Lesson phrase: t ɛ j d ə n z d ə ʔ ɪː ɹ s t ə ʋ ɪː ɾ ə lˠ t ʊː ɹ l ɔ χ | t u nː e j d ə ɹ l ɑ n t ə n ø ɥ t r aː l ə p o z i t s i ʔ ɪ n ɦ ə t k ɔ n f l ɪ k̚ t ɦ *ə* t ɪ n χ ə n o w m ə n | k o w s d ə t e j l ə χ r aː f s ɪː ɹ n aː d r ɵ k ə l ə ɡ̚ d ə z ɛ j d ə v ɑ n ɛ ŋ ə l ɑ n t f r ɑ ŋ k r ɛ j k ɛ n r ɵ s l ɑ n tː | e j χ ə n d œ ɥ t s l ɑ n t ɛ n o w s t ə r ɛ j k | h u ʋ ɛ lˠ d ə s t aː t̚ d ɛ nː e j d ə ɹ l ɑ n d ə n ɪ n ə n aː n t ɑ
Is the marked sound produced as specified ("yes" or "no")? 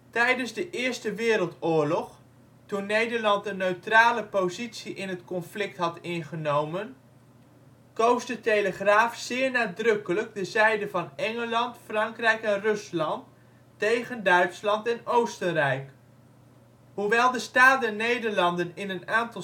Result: no